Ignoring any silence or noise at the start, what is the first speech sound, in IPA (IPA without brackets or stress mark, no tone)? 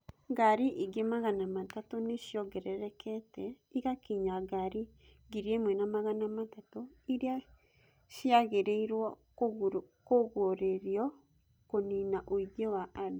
ɡ